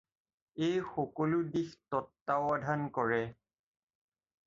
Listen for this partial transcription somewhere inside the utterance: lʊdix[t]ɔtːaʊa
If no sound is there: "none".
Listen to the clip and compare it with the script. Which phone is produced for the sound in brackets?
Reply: t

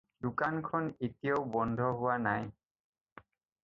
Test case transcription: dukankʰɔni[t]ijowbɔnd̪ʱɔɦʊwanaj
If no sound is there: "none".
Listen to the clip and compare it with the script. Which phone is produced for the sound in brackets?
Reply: t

